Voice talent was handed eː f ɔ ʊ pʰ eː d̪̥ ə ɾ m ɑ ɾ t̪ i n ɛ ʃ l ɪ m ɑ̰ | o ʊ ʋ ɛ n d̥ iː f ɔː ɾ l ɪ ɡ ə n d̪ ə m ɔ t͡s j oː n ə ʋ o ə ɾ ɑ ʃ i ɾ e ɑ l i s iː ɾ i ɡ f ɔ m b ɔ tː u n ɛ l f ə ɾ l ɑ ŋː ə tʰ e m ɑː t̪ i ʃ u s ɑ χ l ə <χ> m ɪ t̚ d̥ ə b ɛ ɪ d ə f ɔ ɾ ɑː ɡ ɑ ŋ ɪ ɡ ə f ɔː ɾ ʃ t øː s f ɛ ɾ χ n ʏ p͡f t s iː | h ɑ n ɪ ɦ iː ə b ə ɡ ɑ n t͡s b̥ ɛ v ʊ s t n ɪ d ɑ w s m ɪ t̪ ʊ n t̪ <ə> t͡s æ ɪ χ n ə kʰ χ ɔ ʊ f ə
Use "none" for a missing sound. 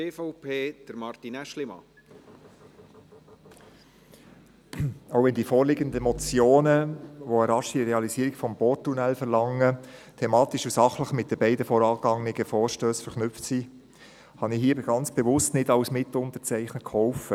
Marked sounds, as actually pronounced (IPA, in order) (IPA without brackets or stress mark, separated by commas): χ, ə